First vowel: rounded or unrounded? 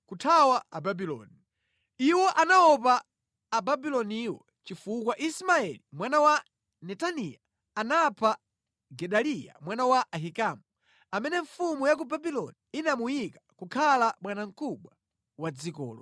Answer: rounded